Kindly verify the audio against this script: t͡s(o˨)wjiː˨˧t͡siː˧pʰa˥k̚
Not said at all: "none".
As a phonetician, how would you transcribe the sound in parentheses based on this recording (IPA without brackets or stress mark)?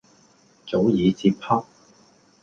o˨˥